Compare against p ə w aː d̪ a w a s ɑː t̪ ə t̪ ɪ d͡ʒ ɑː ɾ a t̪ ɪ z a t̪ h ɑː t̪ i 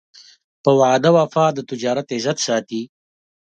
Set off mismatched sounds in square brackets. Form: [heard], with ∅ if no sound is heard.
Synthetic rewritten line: p ə w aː d̪ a w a [f] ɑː [d̪] ə t̪ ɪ d͡ʒ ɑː ɾ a t̪ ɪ z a t̪ [s] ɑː t̪ i